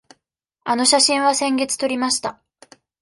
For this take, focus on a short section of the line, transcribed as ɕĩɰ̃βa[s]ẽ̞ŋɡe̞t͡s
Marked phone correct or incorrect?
correct